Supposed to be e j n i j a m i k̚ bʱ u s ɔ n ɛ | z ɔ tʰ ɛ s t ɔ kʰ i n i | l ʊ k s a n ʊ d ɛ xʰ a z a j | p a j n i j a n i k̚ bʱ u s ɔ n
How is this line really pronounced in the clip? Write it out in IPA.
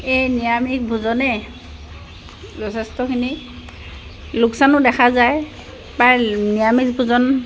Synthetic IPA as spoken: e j n i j a m i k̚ bʱ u z ɔ n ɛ | z ɔ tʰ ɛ s t ɔ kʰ i n i | l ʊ k s a n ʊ d ɛ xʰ a z a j | p a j n i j a m i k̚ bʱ u z ɔ n